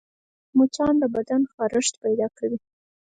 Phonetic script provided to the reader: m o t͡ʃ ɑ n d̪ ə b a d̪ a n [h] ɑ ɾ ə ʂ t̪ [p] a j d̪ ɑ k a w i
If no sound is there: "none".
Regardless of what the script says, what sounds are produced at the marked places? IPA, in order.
x, p

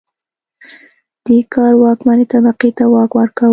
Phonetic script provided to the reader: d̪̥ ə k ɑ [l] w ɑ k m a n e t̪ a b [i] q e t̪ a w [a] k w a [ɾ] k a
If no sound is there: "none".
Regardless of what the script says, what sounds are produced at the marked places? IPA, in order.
ɾ, a, ɑ, ɾ

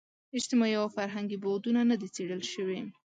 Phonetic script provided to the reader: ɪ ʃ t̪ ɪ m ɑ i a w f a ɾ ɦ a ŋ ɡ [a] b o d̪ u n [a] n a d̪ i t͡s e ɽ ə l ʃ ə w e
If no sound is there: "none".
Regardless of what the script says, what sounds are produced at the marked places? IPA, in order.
i, a

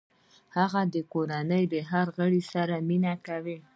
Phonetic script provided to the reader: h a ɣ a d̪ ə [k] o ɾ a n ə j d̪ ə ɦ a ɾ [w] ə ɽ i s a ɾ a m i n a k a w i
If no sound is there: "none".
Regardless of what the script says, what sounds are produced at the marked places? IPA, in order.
k, ɣ

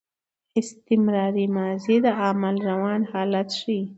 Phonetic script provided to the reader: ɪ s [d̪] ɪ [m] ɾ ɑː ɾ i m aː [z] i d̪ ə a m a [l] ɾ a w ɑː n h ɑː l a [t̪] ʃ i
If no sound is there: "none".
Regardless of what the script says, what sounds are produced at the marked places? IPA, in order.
t̪, m, z, l, t̪

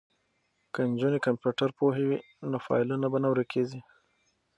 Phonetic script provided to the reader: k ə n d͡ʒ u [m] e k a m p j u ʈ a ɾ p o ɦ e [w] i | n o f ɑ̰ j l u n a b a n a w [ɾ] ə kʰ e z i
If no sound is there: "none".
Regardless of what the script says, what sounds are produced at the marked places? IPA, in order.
n, w, ɾ

